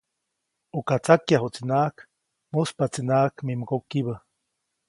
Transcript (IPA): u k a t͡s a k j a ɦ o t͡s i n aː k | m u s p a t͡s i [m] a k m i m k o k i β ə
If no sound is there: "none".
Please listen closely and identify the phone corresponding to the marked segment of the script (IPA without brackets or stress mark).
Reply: n